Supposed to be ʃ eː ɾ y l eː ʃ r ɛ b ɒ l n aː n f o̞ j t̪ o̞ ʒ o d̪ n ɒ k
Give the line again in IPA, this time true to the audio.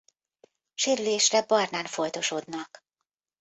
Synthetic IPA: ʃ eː ɾ y l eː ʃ r ɛ b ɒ r n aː n f o̞ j t̪ o̞ ʃ o d̪ n ɒ k

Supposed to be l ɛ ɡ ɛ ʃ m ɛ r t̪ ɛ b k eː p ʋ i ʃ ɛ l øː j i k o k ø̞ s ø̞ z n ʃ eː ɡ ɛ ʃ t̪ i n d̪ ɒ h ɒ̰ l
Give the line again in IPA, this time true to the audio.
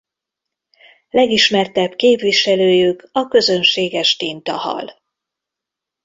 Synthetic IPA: l ɛ ɡ i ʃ m ɛ r t̪ ɛ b k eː p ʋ i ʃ ɛ l øː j y k ɒ k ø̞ z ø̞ n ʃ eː ɡ ɛ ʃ t̪ i n t̪ ɒ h ɒ̰ l

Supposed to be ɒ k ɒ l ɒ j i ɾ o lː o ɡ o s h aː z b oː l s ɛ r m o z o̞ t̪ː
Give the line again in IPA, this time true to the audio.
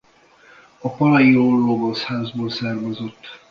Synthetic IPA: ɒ p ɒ l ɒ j i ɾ o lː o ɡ o s h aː z b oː l s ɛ r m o z o̞ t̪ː

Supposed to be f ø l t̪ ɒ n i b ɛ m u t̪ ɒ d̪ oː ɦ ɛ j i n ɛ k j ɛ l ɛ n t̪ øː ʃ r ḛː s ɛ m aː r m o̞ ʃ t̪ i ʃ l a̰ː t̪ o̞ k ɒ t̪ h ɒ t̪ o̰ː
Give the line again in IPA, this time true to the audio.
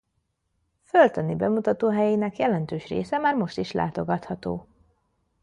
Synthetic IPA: f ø l t̪ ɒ n i b ɛ m u t̪ ɒ t̪ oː ɦ ɛ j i n ɛ k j ɛ l ɛ n t̪ øː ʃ r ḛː s ɛ m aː r m o̞ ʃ t̪ i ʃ l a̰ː t̪ o̞ ɡ ɒ t̪ h ɒ t̪ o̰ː

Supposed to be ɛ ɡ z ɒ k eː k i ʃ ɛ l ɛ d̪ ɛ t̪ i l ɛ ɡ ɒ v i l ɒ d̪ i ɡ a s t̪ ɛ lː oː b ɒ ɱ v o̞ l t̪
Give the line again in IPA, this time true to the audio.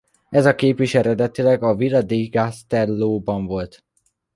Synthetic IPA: ɛ z ɒ k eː p i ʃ ɛ ɾ ɛ d̪ ɛ t̪ i l ɛ ɡ ɒ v i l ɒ d̪ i ɡ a s t̪ ɛ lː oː b ɒ ɱ v o̞ l t̪

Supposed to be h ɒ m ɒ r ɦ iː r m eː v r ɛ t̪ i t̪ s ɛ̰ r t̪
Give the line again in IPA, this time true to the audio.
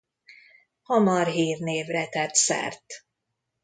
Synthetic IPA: h ɒ m ɒ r ɦ iː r n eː v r ɛ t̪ ɛ t̪ s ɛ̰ r t̪

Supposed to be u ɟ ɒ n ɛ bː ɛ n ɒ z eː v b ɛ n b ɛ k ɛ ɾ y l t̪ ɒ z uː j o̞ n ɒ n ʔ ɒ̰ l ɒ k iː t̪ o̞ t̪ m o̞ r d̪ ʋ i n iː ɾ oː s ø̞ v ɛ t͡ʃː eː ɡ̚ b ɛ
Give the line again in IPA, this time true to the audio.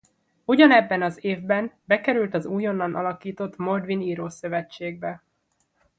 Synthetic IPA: u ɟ ɒ n ɛ bː ɛ n ɒ z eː v b ɛ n b ɛ k ɛ ɾ y l t̪ ɒ z uː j o̞ nː ɒ n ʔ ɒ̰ l ɒ k iː t̪ o̞ t̪ m o̞ r d̪ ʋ i n iː ɾ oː s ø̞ v ɛ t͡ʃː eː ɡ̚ b ɛ

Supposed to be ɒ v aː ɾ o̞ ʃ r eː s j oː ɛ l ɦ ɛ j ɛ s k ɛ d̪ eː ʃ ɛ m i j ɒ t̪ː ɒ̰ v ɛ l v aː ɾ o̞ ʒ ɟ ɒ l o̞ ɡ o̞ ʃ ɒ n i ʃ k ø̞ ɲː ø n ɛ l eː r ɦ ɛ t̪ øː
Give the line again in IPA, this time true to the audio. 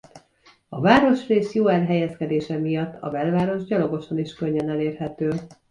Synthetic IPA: ɒ v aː ɾ o̞ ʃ r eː s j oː ɛ l ɦ ɛ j ɛ s k ɛ d̪ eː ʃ ɛ m i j ɒ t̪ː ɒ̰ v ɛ l v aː ɾ o̞ ʒ ɟ ɒ l o̞ ɡ o̞ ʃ ɒ n i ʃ k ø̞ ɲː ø n ɛ l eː r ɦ ɛ t̪ øː

